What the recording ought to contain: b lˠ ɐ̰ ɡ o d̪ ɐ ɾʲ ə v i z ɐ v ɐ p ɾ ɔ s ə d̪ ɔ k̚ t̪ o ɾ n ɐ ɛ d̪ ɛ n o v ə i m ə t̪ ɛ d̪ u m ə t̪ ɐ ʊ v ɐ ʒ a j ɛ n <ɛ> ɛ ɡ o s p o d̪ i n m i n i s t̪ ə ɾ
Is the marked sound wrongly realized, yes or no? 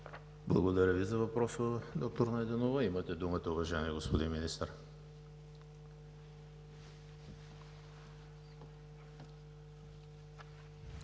yes